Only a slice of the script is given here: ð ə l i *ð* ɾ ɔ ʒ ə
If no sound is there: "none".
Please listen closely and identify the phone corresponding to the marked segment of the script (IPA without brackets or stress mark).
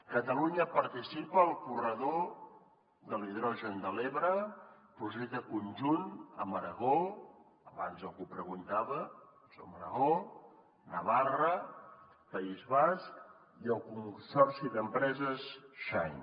ð